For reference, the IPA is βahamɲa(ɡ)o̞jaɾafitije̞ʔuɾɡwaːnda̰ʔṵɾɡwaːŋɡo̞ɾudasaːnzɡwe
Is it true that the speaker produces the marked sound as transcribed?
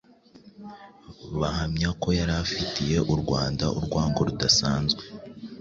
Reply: no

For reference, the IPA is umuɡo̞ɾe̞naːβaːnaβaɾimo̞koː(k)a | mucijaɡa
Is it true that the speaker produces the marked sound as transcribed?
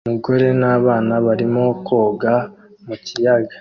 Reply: no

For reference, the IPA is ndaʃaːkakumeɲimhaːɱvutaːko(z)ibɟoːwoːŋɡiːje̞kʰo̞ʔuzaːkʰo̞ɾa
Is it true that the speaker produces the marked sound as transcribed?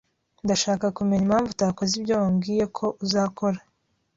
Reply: yes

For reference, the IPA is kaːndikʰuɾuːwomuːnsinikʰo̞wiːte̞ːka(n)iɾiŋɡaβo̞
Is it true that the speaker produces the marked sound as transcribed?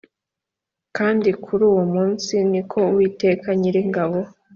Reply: no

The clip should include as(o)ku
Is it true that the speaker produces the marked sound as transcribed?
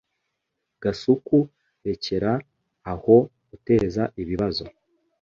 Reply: no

